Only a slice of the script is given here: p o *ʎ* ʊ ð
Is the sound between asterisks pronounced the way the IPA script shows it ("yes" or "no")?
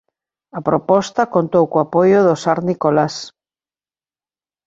no